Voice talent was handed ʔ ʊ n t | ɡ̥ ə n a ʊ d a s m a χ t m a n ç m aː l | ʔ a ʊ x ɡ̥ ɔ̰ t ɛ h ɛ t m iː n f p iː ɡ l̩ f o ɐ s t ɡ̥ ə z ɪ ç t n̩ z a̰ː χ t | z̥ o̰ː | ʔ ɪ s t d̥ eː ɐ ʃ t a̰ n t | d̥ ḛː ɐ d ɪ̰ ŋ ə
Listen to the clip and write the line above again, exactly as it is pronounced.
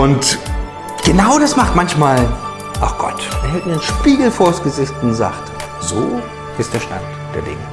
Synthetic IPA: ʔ ʊ n t | ɡ̥ ə n a ʊ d a s m a χ t m a n ç m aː l | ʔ a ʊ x ɡ̥ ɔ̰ t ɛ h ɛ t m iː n ʃ p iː ɡ l̩ f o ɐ s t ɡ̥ ə z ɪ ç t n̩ z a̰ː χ t | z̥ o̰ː | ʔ ɪ s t d̥ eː ɐ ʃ t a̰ n t | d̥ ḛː ɐ d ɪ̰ ŋ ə